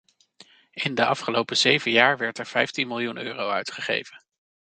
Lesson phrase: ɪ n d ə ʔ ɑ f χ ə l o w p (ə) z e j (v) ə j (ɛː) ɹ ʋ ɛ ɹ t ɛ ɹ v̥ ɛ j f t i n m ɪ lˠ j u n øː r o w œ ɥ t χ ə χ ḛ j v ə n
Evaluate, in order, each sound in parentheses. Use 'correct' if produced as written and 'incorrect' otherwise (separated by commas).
correct, correct, incorrect